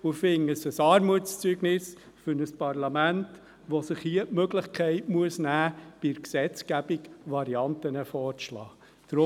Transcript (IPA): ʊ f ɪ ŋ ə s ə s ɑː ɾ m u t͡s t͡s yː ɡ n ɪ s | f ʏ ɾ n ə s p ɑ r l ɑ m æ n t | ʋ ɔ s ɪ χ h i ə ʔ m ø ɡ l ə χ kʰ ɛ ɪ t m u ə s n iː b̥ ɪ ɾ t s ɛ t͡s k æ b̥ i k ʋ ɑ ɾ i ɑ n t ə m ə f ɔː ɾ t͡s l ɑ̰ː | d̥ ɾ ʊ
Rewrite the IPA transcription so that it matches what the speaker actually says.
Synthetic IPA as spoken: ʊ f ɪ ŋ ə s ə s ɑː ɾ m u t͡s t͡s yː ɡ n ɪ s | f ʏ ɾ n ə s p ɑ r l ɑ m æ n t | ʋ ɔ s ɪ χ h i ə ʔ m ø ɡ l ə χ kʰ ɛ ɪ t m u ə s n æː b̥ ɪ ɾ k s ɛ t͡s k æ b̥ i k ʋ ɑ ɾ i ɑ n t ə n ə f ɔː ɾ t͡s l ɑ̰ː | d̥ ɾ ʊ

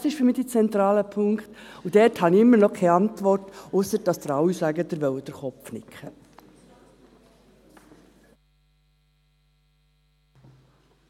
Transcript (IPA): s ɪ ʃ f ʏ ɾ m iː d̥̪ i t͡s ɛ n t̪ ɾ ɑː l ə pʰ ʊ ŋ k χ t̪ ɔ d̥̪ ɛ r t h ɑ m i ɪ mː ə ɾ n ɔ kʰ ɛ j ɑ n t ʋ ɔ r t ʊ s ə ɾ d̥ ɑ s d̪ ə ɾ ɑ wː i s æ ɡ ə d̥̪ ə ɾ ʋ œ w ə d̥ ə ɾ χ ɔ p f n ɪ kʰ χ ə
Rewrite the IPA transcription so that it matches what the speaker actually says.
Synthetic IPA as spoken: s ɪ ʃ f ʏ ɾ m iː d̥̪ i t͡s ɛ n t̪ ɾ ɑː l ə pʰ ʊ ŋ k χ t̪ u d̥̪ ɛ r t h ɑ n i ɪ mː ə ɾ n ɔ kʰ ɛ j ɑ n t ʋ ɔ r t ʊ s ə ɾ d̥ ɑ s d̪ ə ɾ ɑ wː i s æ ɡ ə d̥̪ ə ɾ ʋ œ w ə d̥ ə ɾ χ ɔ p f n ɪ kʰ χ ə

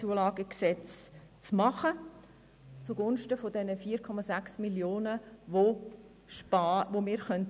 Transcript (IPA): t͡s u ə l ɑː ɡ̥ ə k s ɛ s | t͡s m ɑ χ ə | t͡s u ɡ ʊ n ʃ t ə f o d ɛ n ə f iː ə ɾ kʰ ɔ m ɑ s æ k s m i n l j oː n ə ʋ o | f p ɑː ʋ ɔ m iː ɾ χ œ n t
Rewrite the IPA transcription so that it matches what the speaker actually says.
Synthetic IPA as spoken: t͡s u ə l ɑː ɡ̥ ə k s ɛ t͡s | t͡s m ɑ χ ə | t͡s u ɡ ʊ n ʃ t ə f o d ɛ n ə f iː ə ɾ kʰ ɔ m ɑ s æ k s m i l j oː n ə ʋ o | ʃ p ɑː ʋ o m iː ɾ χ œ n t

